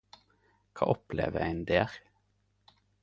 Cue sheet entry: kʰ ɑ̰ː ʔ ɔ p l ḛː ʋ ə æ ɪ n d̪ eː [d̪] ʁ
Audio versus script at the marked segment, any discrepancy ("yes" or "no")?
yes